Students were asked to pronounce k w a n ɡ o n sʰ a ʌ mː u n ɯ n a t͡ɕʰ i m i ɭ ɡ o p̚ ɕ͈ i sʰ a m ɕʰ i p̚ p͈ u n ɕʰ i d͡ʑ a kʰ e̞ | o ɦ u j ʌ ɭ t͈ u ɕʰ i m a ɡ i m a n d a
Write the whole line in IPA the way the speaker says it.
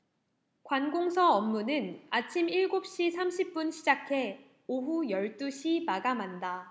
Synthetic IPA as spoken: k w a n ɡ o ŋ sʰ ʌ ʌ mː u n ɯ n a t͡ɕʰ i m i ɭ ɡ o p̚ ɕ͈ i sʰ a m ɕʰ i p̚ p͈ u n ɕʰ i d͡ʑ a kʰ e̞ | o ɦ u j ʌ ɭ t͈ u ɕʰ i m a ɡ a m a n d a